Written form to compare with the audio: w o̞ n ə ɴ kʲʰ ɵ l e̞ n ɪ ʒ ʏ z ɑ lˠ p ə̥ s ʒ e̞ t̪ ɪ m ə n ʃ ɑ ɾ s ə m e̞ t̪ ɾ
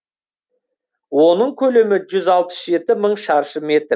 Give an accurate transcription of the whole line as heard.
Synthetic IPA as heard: w o̞ n ə ɴ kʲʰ ɵ l e̞ m ɪ ʒ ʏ z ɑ lˠ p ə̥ s ʒ e̞ t̪ ɪ m ə ɴ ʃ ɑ ɾ ʃ ə m e̞ t̪ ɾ